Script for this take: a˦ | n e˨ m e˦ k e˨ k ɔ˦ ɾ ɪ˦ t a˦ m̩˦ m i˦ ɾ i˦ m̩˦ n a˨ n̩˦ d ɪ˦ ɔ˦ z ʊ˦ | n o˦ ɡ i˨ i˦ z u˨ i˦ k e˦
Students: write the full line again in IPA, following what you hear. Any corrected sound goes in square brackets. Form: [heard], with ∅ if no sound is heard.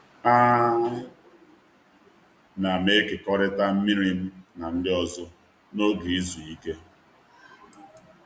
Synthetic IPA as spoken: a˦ | n [a˨] m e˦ k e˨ k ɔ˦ ɾ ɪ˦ t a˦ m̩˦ m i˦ ɾ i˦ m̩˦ n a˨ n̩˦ d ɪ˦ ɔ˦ z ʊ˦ | n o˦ ɡ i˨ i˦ z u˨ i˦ k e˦